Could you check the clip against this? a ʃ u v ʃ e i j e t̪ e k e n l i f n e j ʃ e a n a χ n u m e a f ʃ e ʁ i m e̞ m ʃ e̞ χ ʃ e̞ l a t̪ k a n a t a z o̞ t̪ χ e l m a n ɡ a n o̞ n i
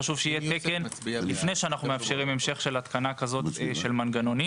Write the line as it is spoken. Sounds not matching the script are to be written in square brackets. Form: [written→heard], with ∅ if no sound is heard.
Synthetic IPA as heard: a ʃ u v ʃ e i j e t̪ e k e n l i f n e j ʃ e a n a χ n u m e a f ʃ e ʁ i m e̞ m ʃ e̞ χ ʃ e̞ l a t̪ k a n a [t→k] a z o̞ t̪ [χ→ʃ] e l m a n ɡ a n o̞ n i

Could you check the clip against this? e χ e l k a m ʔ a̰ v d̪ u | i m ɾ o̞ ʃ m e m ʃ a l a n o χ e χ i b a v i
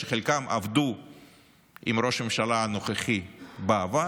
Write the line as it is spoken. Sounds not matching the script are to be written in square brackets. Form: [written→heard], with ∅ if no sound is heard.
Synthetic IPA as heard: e χ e l k a m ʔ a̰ v d̪ u | i m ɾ o̞ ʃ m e m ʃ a l a n o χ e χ i b a v [i→a]

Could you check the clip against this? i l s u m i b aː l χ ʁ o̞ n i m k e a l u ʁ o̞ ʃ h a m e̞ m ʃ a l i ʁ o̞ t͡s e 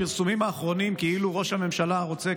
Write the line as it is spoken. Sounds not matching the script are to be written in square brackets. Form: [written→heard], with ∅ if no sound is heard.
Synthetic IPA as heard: i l s u m i [b→m] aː [l→∅] χ ʁ o̞ n i m k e [a→i] l u ʁ o̞ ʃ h a m e̞ m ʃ a l [i→a] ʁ o̞ t͡s e

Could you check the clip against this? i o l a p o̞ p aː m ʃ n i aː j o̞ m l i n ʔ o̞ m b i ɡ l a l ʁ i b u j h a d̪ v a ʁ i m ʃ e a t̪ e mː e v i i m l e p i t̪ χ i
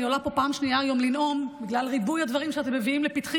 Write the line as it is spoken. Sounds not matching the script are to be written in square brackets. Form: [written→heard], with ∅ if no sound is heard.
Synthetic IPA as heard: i o l a p o̞ p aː m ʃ n i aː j o̞ m l i n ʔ o̞ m b i ɡ l a l ʁ i b u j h a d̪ v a ʁ i m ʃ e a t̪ e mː e v i i m l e p i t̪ χ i

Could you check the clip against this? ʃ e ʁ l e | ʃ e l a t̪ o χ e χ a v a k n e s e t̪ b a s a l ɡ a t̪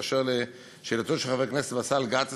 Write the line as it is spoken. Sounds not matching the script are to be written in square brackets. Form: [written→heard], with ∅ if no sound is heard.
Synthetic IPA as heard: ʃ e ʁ l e | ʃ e l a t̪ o [χ→ʃ] e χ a v [a→e] k n e s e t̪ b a s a l ɡ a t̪

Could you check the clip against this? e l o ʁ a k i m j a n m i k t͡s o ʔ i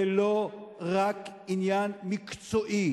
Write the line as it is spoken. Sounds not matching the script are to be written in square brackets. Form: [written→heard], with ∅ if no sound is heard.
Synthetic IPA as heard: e l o ʁ a k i [m→n] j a n m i k t͡s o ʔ i

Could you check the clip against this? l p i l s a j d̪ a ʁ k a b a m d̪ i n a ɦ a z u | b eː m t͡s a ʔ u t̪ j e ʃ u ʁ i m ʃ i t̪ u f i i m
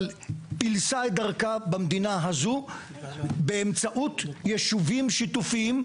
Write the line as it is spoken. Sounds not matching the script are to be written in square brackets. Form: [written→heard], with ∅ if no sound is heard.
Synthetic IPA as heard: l p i l s a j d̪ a ʁ k a b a m d̪ i n a ɦ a z u | b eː m t͡s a ʔ u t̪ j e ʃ u [ʁ→v] i m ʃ i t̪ u f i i m

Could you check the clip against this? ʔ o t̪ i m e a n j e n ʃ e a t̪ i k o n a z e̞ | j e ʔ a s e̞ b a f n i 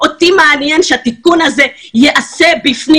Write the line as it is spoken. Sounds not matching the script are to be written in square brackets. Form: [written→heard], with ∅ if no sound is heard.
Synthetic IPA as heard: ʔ o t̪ i m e a n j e n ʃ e a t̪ i k [o→u] n a z e̞ | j e ʔ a s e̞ b [a→i] f n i

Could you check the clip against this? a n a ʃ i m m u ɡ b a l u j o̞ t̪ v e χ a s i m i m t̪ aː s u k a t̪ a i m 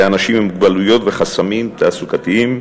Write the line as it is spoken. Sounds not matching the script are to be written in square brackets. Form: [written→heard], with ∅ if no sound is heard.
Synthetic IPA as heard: a n a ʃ i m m u ɡ b a l u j o̞ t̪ v e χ a s [i→a] m i m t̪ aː s u k a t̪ [a→i] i m

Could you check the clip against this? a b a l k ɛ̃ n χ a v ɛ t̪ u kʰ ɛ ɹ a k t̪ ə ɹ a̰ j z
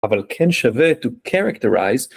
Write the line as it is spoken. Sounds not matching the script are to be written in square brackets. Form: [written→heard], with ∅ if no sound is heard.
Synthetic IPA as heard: a [b→v] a l [k→kʰ] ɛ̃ n [χ→ʃ] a v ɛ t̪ u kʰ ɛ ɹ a k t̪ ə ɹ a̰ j z

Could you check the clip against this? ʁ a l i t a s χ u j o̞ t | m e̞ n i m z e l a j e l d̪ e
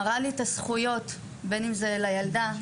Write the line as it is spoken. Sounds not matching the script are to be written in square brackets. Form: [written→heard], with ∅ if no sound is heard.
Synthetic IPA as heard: ʁ a l i t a s χ u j o̞ t | [m→b] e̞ n i m z e l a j [e→a] l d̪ [e→a]

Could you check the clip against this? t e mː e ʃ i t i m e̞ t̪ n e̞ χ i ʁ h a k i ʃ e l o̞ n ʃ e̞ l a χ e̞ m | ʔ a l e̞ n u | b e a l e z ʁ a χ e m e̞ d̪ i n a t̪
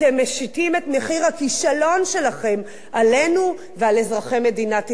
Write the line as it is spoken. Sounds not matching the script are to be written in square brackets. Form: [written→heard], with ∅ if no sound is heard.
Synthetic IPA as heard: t e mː e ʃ i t i m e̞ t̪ [n→m] e̞ χ i ʁ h a k i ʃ [e→a] l o̞ n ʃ e̞ l a χ e̞ m | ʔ a l e̞ n u | [b→v] e a l e z ʁ a χ e m e̞ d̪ i n a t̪

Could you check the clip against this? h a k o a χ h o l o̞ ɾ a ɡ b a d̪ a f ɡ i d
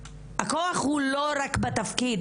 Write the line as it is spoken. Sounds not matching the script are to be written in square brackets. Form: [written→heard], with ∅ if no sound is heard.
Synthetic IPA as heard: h a k o a χ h [o→u] l o̞ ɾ a [ɡ→k] b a [d̪→t̪] a f [ɡ→k] i d

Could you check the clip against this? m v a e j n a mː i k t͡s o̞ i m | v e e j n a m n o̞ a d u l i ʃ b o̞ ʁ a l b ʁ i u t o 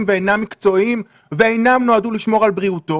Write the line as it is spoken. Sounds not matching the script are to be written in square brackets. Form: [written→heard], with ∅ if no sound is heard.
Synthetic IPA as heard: m v [a→e] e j n a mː i k t͡s o̞ i m | v e e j n a m n o̞ a d u l i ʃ [b→m] o̞ ʁ a l b ʁ i u t o

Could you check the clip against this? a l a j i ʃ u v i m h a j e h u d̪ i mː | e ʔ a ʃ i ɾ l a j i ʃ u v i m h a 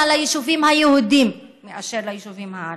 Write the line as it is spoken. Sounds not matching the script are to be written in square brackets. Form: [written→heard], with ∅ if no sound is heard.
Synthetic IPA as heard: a l a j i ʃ u v i m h a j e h u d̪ i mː | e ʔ a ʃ [i→e] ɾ l a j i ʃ u v i m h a

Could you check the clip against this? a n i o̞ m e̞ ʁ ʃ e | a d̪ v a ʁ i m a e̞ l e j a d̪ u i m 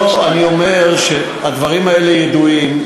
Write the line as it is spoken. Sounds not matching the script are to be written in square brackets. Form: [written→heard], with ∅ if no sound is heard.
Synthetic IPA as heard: a n i o̞ m e̞ ʁ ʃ e | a d̪ v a ʁ i m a e̞ l e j [a→e] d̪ u i m

